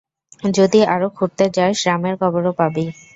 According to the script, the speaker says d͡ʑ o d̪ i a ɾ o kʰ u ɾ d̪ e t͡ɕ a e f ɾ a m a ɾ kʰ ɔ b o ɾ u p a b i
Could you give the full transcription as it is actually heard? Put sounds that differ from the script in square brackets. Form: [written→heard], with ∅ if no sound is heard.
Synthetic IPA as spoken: d͡ʑ o d̪ i a ɾ o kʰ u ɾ [d̪→t̪] e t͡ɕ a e [f→ʃ] ɾ a m [a→e] ɾ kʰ ɔ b o ɾ [u→o] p a b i